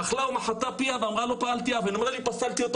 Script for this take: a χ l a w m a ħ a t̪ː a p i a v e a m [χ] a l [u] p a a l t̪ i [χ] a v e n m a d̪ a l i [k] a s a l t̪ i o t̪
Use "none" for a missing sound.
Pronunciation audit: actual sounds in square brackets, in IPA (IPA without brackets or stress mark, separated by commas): ʁ, o, none, p